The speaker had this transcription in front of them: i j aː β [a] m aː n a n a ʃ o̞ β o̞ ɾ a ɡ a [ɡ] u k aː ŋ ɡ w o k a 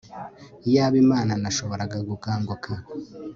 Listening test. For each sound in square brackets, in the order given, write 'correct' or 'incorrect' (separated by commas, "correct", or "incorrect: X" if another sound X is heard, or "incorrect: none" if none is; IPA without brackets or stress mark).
incorrect: i, correct